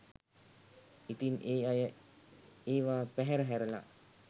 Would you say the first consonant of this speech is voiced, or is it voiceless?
voiceless